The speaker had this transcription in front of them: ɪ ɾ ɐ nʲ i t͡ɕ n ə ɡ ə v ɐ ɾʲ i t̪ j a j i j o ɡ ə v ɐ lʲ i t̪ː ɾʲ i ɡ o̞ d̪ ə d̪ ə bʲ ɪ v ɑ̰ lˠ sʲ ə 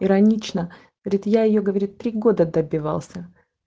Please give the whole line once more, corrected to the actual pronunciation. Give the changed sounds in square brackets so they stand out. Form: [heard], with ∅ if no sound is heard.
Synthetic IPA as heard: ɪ ɾ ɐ nʲ i t͡ɕ n ə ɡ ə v ɐ ɾʲ i t̪ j a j [ɪ] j o ɡ ə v ɐ [ɾʲ] i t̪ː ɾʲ i ɡ o̞ d̪ ə d̪ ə bʲ ɪ v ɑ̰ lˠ sʲ ə